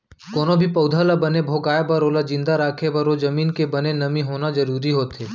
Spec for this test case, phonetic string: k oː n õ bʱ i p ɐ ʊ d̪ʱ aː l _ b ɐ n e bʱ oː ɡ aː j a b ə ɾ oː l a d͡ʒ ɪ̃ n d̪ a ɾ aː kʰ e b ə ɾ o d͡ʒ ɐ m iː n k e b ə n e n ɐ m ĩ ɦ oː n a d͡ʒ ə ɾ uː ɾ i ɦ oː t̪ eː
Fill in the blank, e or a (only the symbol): a